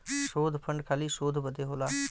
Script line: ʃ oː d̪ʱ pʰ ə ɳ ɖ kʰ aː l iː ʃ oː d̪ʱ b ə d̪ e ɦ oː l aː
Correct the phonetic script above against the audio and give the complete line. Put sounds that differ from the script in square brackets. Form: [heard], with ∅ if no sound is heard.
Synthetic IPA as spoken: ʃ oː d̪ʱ pʰ ə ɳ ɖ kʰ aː l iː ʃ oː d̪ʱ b ə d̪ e ɦ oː l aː